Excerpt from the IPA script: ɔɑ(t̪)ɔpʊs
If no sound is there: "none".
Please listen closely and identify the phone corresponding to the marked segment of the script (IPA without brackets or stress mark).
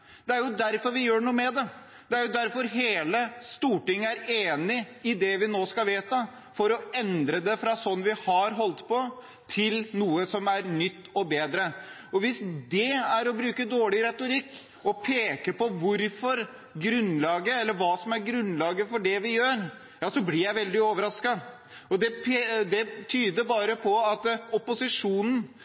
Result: t̪